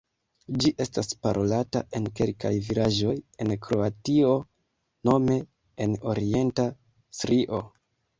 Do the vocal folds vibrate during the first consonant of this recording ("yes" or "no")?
yes